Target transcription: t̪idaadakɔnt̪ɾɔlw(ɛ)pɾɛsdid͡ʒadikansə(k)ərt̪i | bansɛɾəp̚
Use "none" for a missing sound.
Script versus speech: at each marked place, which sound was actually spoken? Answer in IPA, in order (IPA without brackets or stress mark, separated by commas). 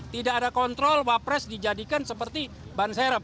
a, p